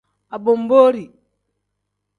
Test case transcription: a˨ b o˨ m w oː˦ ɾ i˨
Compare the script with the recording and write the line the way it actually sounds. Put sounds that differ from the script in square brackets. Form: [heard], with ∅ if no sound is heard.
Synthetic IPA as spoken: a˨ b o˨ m [b] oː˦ ɾ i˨